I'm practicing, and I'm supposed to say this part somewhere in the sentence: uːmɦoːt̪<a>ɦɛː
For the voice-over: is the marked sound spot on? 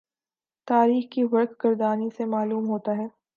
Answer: yes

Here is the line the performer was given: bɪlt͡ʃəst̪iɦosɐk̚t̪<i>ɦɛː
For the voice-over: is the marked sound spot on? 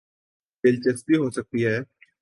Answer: yes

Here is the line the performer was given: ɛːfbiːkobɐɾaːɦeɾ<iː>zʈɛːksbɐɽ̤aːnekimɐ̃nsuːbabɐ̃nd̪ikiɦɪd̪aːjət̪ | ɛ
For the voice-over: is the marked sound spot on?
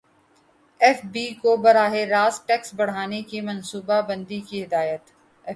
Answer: no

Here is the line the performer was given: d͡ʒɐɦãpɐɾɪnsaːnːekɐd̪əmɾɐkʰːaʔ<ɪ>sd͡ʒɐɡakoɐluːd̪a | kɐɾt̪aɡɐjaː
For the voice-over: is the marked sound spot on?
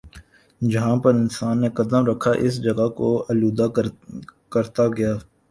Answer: yes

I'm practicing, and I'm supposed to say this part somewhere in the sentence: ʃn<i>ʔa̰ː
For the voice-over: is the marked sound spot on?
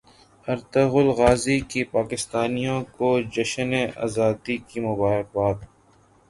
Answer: no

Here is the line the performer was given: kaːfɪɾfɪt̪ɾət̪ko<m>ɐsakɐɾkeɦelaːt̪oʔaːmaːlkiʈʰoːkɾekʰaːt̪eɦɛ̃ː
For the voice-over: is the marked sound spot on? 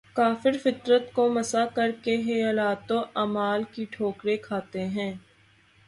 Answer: yes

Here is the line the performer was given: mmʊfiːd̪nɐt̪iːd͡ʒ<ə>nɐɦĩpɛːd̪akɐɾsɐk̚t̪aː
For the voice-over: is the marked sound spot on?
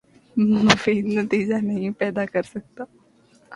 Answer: no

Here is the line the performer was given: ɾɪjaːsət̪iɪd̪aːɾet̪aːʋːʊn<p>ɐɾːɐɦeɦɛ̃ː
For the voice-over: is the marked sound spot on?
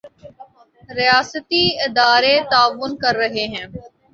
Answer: no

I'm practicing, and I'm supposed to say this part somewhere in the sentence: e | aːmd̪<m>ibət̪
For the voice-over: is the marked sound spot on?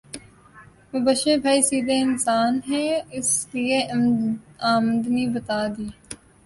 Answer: no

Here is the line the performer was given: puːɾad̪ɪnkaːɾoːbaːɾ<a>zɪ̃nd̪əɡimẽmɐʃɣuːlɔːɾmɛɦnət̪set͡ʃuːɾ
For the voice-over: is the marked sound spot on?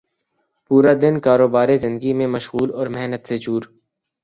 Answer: no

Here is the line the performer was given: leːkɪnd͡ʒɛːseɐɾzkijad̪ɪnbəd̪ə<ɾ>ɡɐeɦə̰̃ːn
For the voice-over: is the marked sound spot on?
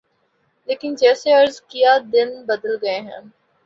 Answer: no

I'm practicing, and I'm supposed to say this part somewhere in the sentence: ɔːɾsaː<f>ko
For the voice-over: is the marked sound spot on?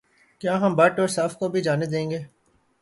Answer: yes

